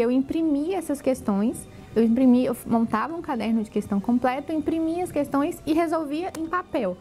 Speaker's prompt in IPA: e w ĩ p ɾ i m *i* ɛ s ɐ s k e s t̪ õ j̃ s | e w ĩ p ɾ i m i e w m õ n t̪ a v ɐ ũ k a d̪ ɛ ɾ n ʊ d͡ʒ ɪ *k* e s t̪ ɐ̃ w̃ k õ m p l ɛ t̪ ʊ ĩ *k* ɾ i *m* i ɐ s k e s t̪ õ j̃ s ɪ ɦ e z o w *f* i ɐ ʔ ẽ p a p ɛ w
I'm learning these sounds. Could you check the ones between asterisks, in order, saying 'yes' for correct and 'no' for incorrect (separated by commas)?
yes, yes, no, yes, no